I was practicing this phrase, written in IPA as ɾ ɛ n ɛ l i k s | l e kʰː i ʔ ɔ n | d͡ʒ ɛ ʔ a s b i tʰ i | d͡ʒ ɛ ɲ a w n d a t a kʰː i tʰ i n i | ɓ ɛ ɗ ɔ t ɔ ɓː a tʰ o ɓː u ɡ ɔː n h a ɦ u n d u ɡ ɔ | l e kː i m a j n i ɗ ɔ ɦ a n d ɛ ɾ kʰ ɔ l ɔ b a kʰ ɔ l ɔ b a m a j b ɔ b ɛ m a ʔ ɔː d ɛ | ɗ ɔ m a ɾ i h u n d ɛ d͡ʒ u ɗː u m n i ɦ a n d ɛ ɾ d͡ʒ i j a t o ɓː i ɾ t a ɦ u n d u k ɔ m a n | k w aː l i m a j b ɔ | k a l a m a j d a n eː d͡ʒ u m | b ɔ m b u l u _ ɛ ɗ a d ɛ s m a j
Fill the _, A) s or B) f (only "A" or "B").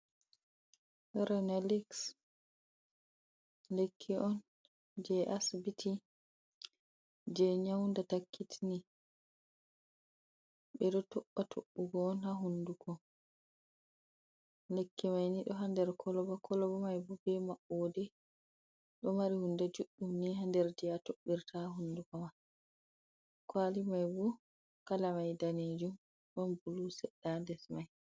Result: A